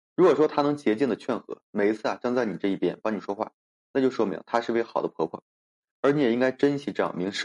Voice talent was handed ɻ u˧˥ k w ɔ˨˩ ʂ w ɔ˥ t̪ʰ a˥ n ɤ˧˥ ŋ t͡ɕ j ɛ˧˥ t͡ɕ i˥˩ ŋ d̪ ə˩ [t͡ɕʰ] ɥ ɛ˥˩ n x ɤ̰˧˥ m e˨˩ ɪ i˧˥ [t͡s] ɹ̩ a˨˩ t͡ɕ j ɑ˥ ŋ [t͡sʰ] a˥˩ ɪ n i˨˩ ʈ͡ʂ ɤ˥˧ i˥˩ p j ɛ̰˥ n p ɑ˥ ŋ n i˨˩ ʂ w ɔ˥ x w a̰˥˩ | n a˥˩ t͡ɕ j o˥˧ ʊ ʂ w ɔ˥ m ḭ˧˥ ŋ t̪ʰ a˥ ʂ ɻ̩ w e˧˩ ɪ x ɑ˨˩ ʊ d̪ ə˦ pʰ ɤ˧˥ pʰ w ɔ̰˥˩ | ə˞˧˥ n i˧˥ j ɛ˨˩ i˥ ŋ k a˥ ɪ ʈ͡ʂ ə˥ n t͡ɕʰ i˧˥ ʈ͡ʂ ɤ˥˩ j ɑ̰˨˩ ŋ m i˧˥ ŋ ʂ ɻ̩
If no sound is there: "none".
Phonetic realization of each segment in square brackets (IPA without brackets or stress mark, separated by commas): t͡ɕʰ, t͡sʰ, t͡s